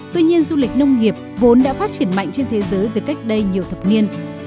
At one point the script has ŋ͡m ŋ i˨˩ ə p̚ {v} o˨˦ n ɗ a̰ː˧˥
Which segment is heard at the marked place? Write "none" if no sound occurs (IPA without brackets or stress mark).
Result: v